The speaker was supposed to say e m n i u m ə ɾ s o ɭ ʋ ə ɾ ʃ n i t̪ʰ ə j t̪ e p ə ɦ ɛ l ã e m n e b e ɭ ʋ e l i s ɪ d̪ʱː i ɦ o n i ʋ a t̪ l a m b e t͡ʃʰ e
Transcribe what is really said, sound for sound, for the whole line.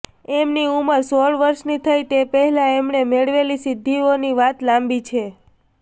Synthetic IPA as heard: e m n i u m ə ɾ s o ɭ ʋ ə ɾ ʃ n i t̪ʰ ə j t̪ e p ə ɦ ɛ l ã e m n e m e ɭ ʋ e l i s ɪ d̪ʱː i o n i ʋ a t̪ l a m b i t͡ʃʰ e